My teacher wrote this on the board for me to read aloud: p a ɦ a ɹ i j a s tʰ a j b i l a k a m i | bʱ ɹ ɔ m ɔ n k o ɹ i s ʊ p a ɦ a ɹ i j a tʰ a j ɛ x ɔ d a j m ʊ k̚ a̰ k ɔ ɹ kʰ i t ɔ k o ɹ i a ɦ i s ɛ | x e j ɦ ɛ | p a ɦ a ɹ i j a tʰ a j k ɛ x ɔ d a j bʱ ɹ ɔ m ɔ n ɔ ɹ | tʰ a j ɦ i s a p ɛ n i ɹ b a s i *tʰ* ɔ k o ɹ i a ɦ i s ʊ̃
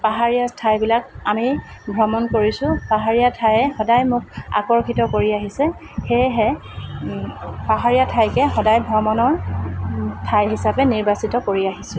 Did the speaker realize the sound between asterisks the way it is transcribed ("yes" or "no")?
no